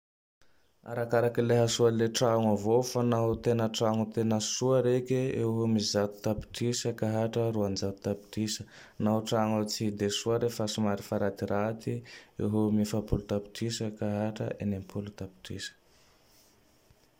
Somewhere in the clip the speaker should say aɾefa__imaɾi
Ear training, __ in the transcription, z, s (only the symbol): s